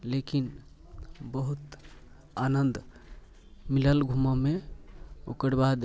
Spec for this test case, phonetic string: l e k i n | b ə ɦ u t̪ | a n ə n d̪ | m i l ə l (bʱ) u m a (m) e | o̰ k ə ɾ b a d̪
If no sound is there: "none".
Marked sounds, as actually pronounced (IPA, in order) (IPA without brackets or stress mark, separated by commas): ɡʱ, m